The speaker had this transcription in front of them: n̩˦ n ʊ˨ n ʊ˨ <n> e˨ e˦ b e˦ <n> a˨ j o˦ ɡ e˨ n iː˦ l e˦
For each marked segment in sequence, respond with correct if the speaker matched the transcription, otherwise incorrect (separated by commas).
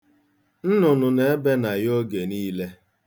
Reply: correct, correct